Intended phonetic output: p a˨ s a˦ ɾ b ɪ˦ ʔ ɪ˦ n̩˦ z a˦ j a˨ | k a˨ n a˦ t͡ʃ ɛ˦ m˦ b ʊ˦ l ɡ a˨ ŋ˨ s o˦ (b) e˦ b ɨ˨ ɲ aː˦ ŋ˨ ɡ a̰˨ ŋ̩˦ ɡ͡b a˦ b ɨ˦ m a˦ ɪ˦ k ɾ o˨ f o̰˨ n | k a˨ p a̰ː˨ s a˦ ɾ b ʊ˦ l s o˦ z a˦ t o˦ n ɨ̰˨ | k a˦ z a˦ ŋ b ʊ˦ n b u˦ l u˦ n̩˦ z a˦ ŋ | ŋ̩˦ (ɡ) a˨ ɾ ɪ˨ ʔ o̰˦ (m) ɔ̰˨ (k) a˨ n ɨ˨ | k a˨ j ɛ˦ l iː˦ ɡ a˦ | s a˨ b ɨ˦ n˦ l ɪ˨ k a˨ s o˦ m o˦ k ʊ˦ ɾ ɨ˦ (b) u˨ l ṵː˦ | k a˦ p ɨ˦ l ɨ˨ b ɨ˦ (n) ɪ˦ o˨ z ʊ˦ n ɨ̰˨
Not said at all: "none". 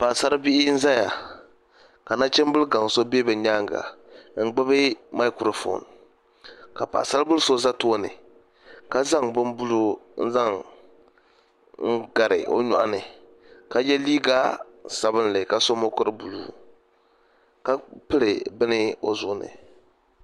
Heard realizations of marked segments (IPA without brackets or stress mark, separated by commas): b, ɡ, ɲ, ʔ, b, n